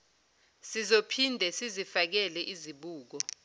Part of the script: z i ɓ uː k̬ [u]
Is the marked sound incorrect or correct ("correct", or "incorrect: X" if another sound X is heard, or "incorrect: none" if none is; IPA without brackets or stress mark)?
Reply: incorrect: ɔ